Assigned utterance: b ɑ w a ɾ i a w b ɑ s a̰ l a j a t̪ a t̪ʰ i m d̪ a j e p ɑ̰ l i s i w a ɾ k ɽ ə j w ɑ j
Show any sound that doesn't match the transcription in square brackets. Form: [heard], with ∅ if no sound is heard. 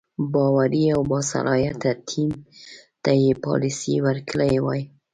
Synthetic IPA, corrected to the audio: b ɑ w a ɾ i a w b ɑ s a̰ l [ɑ] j a t̪ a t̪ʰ i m [t̪] a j e p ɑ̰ l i s i w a ɾ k [l] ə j w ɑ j